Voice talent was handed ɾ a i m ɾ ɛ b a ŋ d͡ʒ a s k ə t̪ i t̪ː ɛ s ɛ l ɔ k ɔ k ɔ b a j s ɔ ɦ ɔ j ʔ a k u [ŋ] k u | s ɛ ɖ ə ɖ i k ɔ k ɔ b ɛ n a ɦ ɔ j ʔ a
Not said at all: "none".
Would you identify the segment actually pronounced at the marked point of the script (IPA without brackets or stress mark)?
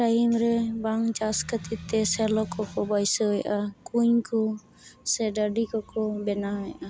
ɲ